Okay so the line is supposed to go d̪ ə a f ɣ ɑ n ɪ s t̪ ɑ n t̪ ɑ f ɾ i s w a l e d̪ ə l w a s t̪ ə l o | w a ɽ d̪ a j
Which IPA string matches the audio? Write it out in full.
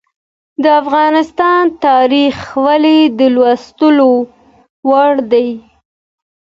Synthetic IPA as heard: d̪ ə a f ɣ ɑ n ɪ s t̪ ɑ n t̪ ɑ ɾ i x w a l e d̪ ə l w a s t̪ ə l o | w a ɽ d̪ a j